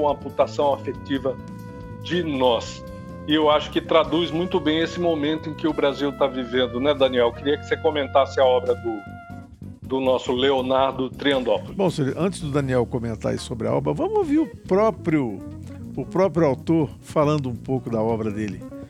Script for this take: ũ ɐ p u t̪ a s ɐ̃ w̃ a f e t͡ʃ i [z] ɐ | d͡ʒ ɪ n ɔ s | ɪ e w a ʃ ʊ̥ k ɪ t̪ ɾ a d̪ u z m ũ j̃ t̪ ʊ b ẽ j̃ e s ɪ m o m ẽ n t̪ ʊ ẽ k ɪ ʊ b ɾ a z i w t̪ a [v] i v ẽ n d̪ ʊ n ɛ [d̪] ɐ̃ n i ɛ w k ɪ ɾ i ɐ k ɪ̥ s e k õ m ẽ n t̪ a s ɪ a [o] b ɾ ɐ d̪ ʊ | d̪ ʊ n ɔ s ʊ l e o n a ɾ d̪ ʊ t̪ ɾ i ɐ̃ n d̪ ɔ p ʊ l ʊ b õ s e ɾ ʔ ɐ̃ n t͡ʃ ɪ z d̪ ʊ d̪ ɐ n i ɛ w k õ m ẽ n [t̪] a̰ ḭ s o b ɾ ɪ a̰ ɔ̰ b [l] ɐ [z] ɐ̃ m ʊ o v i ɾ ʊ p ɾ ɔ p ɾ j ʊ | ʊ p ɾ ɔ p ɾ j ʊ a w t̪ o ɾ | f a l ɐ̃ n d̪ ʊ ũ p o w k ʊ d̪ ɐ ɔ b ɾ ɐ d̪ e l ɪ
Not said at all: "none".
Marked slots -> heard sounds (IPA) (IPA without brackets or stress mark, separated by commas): v, v, d̪, ɔ, t̪, ɾ, v